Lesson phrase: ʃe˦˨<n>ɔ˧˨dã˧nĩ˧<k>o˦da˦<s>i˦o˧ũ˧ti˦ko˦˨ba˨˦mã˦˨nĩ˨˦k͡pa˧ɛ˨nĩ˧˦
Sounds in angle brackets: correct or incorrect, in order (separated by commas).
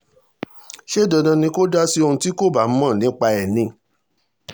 incorrect, correct, correct